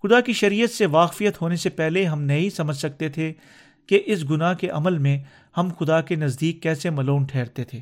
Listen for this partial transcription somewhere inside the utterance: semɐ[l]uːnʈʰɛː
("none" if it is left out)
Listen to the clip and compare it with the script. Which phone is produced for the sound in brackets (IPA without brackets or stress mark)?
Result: l